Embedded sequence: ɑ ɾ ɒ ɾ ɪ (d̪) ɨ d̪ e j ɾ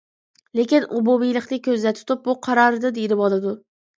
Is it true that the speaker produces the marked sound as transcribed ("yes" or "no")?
yes